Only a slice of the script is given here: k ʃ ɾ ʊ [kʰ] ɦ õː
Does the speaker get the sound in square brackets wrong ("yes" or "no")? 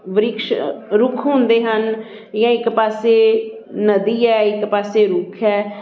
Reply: no